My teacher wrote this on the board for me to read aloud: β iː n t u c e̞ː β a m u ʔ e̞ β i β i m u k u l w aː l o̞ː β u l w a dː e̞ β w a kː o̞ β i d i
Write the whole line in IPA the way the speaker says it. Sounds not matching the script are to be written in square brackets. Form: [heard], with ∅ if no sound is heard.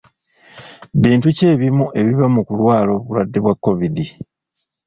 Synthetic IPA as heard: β iː n t u c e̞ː β [i] m u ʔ e̞ β i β [a] m u k u l w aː l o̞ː β u l w a dː e̞ β w a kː o̞ β i d i